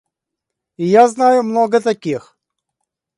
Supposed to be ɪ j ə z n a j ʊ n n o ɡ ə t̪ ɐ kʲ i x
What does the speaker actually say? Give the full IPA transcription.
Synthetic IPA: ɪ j a z n a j ʊ m n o ɡ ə t̪ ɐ kʲ i x

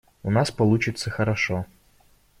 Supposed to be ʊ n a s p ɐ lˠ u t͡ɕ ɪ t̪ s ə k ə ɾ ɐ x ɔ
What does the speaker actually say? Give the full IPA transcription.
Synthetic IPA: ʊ n a s p ɐ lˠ u t͡ɕ ɪ t̪ s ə x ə ɾ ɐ ʂ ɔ

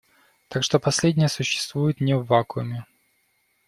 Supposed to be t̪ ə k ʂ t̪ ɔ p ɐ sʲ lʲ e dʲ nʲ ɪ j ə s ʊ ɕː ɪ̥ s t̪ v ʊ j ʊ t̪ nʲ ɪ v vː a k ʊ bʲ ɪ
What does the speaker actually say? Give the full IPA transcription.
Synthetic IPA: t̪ a k ʂ t̪ o p ɐ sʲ lʲ e dʲ nʲ ɪ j ə s ʊ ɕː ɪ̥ s t̪ v u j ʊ t̪ nʲ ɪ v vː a k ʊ mʲ ɪ

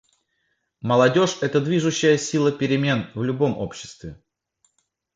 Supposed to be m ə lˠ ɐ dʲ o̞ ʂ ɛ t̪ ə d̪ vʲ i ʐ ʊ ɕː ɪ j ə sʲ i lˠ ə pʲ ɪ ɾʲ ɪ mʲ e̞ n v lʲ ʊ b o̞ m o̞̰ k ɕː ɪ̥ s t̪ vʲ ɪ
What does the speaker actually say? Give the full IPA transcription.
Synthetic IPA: m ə lˠ ɐ dʲ o̞ ʂ ɛ t̪ ə d̪ vʲ i ʐ ʊ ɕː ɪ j ə sʲ i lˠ ə pʲ ɪ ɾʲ ɪ mʲ e̞ n v lʲ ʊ b o̞ m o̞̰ p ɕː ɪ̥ s t̪ vʲ ɪ

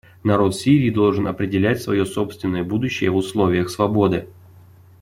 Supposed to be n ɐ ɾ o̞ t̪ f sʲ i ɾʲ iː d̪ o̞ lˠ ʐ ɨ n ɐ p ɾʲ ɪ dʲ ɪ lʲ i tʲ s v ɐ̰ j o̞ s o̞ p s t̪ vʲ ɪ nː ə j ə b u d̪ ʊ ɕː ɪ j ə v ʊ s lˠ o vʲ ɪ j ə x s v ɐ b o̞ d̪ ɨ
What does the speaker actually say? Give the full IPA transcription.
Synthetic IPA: n ɐ ɾ o̞ t̪ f sʲ i ɾʲ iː d̪ o̞ lˠ ʐ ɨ n ɐ p ɾʲ ɪ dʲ ɪ lʲ æ tʲ s v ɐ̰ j o̞ s o̞ p s t̪ vʲ ɪ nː ə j ə b u d̪ ʊ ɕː ɪ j ə v ʊ s lˠ o vʲ ɪ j ə x s v ɐ b o̞ d̪ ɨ

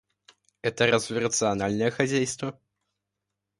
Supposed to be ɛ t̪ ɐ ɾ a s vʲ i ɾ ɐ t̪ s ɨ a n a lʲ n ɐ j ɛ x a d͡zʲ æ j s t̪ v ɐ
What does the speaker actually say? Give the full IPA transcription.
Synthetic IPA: ɛ t̪ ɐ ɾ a z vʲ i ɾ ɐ t̪ s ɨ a n a lʲ n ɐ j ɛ x a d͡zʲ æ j s t̪ v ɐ

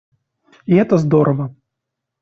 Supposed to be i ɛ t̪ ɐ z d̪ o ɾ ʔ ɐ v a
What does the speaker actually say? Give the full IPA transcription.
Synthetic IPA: i ɛ t̪ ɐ z d̪ ɔ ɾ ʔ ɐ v ɐ

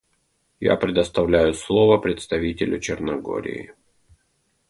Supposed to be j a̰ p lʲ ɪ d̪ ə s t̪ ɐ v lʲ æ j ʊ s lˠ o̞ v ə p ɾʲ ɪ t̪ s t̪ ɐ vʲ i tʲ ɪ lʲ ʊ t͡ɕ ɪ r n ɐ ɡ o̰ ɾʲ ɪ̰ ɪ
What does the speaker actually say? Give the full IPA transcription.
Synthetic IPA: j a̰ p ɾʲ ɪ d̪ ə s t̪ ɐ v lʲ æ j ʊ s lˠ o̞ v ə p ɾʲ ɪ t̪ s t̪ ɐ vʲ i tʲ ɪ lʲ ʊ t͡ɕ ɪ r n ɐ ɡ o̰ ɾʲ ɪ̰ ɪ

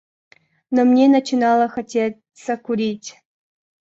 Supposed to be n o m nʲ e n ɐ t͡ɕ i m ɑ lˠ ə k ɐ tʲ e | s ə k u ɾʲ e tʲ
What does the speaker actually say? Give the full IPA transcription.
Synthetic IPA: n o m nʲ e n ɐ t͡ɕ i n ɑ lˠ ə x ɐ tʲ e | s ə k u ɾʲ i tʲ

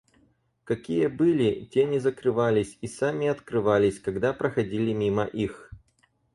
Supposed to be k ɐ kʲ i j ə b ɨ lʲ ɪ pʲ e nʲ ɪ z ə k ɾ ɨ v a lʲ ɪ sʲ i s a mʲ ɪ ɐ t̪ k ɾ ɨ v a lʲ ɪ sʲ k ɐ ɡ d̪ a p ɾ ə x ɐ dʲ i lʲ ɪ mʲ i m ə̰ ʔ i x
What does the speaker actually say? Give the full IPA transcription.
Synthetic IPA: k ɐ kʲ i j ə b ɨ lʲ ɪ tʲ e nʲ ɪ z ə k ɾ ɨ v a lʲ ɪ sʲ i s a mʲ ɪ ɐ t̪ k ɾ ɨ v a lʲ ɪ sʲ k ɐ ɡ d̪ a p ɾ ə x ɐ dʲ i lʲ ɪ mʲ i m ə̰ ʔ i x

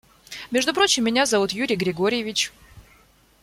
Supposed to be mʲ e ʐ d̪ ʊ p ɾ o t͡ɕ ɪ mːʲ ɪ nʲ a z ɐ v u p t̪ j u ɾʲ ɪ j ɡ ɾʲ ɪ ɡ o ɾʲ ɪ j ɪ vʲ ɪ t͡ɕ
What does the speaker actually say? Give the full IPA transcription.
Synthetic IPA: mʲ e ʐ d̪ ʊ p ɾ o t͡ɕ ɪ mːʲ ɪ nʲ a z ɐ v u t̪ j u ɾʲ ɪ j ɡ ɾʲ ɪ ɡ o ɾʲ ɪ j ɪ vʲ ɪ t͡ɕ

